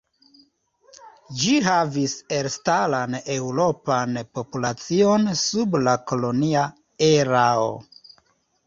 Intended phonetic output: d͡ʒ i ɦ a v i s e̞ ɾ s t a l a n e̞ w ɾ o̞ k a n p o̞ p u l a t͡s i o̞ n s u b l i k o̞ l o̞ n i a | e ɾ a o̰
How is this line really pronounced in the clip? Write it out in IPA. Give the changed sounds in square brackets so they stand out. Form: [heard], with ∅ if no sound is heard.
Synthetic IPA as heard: d͡ʒ i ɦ a v i s e̞ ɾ s t a l a n e̞ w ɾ o̞ [p] a n p o̞ p u l a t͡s i o̞ n s u b l [a] k o̞ l o̞ n i a | e ɾ a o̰